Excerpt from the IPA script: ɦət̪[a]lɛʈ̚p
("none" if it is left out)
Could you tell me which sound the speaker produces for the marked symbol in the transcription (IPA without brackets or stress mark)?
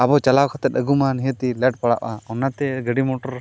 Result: i